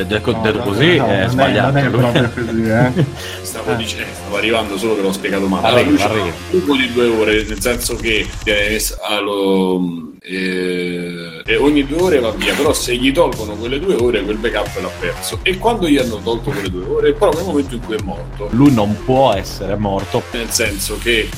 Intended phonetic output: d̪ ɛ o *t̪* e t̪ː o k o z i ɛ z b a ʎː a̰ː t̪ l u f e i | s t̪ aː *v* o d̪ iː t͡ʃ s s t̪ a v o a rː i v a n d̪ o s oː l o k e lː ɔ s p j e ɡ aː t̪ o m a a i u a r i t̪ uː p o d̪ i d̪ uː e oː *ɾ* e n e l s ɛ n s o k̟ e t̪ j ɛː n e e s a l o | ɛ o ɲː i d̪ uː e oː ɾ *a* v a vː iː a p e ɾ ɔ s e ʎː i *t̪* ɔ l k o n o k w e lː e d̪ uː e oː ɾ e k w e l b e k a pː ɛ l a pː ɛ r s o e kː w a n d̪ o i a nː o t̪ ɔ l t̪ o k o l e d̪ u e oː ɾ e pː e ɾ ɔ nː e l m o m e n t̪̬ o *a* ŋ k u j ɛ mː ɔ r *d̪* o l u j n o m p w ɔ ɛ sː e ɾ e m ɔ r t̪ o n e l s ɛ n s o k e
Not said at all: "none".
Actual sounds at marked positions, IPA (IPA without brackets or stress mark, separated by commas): d̪, v, ɾ, e, t̪, i, t̪